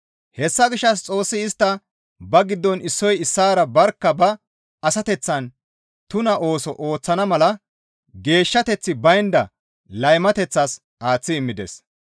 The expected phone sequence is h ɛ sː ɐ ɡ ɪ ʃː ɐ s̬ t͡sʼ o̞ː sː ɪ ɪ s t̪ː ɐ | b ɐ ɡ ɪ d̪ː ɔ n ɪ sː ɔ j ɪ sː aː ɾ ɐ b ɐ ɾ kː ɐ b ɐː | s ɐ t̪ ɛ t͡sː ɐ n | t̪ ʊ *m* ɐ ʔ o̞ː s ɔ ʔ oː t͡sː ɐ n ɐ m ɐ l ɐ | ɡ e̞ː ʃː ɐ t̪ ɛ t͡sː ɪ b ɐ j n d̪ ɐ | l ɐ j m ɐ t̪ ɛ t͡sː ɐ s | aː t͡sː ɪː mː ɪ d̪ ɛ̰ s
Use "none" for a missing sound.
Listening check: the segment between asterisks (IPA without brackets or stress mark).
n